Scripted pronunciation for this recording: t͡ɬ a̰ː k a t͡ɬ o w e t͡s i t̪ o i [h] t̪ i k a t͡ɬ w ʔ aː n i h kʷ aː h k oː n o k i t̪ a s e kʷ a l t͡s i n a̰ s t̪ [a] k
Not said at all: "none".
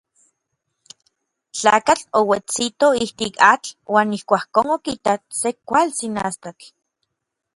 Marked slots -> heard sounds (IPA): h, a

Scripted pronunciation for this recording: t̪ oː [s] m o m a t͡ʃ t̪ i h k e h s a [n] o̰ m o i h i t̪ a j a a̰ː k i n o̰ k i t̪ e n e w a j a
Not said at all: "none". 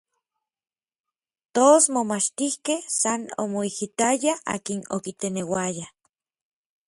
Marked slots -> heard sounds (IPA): s, n

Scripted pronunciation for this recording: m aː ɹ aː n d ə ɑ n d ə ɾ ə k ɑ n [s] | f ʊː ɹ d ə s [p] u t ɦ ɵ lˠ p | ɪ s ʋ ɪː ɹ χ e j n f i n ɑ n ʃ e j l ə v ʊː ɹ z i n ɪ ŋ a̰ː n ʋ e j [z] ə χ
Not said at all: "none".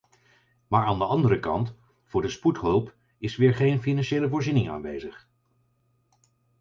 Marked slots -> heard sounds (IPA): t, p, z

